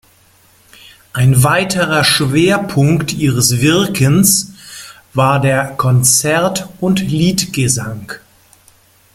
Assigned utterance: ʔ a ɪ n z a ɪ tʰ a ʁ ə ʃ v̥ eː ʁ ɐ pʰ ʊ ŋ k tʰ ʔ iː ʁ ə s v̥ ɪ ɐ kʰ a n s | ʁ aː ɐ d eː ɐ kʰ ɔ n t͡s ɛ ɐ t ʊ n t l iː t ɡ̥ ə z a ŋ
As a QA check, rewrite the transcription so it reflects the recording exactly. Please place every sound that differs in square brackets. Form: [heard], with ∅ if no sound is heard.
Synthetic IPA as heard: ʔ a ɪ n [v] a ɪ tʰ [ə] ʁ [ɐ] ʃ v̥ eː [∅] ɐ pʰ ʊ ŋ k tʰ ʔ iː ʁ ə s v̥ ɪ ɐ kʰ [ə] n s | [v] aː ɐ d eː ɐ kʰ ɔ n t͡s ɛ ɐ t ʊ n t l iː t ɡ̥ ə z a ŋ